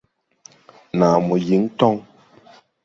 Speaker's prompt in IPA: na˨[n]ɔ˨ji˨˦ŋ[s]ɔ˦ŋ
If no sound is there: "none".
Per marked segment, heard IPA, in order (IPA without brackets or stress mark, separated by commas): m, t